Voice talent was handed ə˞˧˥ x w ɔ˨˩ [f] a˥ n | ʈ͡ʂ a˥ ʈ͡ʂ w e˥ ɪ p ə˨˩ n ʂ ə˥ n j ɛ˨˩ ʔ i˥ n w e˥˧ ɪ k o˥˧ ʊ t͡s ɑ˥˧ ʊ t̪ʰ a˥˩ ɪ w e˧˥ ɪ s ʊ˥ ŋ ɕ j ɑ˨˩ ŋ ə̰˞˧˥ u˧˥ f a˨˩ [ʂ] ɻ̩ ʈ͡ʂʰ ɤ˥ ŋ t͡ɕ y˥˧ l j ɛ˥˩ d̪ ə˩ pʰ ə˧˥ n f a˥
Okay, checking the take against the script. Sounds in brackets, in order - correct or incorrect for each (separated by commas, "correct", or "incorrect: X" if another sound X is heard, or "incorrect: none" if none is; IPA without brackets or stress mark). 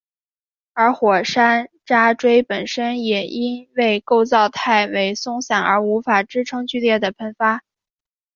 incorrect: ʂ, incorrect: ʈ͡ʂ